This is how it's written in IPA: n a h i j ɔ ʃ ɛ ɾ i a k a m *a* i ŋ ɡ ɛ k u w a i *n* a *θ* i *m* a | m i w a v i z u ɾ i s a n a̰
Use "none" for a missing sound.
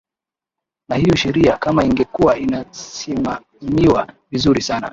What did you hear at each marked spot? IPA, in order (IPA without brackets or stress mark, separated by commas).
a, n, s, m